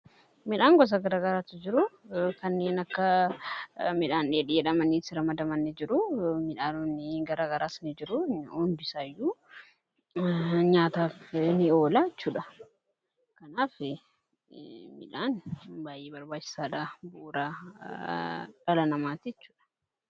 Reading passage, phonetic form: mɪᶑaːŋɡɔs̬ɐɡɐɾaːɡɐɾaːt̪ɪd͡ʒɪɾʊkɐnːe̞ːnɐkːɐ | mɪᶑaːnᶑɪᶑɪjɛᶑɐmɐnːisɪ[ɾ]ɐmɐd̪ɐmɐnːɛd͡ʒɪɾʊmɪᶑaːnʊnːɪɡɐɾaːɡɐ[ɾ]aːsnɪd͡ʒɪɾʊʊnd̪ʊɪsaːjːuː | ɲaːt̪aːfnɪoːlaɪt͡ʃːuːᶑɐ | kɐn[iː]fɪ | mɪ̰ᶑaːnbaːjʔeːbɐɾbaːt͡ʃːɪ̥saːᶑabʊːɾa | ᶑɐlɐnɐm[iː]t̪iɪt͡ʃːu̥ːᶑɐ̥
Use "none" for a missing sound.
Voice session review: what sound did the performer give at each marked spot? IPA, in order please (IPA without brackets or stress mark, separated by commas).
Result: ɾ, ɾ, aː, aː